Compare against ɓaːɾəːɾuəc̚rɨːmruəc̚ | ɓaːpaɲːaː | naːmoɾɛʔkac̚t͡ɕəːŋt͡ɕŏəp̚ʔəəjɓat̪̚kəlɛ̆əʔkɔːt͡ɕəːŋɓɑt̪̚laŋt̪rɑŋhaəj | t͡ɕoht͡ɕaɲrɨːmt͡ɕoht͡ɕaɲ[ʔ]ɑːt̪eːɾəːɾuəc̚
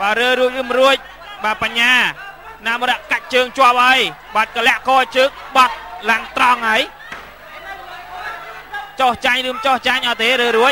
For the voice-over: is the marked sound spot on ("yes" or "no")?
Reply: yes